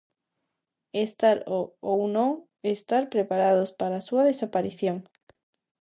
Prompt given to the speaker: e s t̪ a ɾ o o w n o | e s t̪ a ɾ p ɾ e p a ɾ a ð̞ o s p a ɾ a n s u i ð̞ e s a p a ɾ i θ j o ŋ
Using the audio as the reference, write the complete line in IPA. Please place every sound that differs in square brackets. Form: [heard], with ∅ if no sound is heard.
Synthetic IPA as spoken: e s t̪ a ɾ o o w n o | e s t̪ a ɾ p ɾ e p a ɾ a ð̞ o s p a ɾ a [∅] s u [a] ð̞ e s a p a ɾ i θ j o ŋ